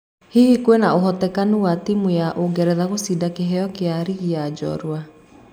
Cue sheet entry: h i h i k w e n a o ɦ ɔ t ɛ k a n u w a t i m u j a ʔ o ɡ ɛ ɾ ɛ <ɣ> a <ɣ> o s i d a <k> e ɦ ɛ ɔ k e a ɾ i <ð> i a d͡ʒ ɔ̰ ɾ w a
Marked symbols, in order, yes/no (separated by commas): no, yes, yes, no